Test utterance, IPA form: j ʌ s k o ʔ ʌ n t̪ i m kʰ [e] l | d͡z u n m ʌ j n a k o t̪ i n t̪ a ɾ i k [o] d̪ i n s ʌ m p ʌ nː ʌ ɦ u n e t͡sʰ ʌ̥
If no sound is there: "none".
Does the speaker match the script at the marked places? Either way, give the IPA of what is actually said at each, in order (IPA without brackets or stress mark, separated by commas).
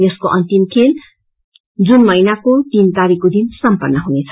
e, o